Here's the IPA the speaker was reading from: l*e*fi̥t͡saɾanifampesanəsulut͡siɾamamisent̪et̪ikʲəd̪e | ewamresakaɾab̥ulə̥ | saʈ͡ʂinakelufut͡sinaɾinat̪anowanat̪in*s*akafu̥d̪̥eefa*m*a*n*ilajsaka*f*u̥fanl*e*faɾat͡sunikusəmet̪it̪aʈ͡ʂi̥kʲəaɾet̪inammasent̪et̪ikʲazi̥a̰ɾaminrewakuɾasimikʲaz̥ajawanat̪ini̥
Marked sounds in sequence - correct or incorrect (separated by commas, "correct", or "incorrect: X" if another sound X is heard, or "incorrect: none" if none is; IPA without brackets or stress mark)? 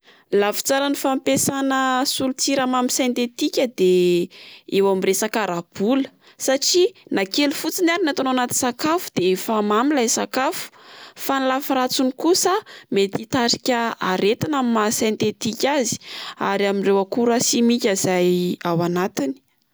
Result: incorrect: a, correct, correct, incorrect: m, correct, incorrect: a